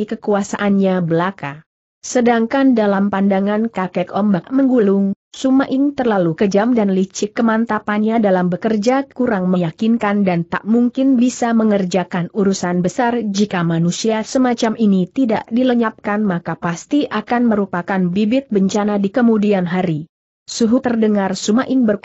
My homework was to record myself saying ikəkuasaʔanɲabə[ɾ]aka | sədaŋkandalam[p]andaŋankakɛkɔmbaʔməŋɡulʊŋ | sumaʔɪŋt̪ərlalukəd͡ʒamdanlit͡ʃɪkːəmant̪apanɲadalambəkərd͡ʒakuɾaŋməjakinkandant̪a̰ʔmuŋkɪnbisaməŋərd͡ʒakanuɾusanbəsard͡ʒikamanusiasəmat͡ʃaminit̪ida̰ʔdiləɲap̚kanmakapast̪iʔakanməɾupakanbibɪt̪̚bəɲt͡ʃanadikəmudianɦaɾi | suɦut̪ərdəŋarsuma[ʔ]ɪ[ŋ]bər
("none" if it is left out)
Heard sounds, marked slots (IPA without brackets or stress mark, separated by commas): l, p, ʔ, ŋ